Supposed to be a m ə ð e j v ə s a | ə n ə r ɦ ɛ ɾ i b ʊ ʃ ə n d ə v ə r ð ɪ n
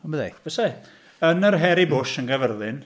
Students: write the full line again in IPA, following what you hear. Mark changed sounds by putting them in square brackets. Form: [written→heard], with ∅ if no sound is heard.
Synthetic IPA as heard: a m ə ð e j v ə s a | ə n ə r ɦ ɛ ɾ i b ʊ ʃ ə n [d→ɡ] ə v ə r ð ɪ n